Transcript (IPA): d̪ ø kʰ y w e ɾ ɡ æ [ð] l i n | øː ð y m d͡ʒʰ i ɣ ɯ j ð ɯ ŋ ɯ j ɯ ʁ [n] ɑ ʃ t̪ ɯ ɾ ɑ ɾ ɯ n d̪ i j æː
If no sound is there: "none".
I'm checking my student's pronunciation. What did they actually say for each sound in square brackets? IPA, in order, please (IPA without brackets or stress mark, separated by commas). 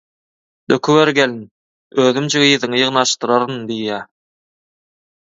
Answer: none, n